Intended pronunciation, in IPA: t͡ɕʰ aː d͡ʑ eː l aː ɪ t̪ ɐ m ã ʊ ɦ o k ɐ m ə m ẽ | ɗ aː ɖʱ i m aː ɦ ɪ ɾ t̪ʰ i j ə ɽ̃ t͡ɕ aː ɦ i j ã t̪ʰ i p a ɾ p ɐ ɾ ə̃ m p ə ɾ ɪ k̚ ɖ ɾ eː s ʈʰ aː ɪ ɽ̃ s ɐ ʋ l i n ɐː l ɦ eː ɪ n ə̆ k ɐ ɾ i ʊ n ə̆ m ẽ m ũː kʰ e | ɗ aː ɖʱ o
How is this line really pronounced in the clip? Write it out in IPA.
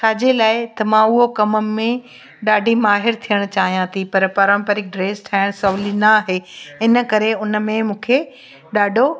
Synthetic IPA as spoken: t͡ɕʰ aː d͡ʑ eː l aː ɪ t̪ ɐ m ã ʊ ɦ o k ɐ m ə m ẽ | ɗ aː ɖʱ i m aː ɦ ɪ ɾ t̪ʰ i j ə ɽ̃ t͡ɕ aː ɦ i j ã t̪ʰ i p ɐ ɾ p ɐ ɾ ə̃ m p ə ɾ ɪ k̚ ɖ ɾ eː s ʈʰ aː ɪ ɽ̃ s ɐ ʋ l i n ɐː ɦ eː ɪ n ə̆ k ɐ ɾ e ʊ n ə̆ m ẽ m ũː kʰ e | ɗ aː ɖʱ o